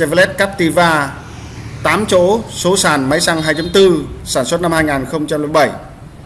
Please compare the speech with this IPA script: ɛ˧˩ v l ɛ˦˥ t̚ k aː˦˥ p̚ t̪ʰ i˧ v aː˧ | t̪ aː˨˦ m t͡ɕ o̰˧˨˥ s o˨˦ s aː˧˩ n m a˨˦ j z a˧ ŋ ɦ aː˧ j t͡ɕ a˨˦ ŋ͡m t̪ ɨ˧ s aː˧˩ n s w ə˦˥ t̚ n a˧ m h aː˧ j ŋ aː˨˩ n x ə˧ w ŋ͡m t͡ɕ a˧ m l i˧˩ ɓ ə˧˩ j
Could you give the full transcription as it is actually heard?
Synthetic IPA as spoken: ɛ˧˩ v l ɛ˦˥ t̚ k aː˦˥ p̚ t̪ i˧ v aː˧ | t̪ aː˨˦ m t͡ɕ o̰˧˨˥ s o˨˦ s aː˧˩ n m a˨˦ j s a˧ ŋ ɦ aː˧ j t͡ɕ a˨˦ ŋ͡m t̪ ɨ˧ s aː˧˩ n s w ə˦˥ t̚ n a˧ m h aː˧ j ŋ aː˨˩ n x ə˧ w ŋ͡m t͡ɕ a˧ m l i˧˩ ɓ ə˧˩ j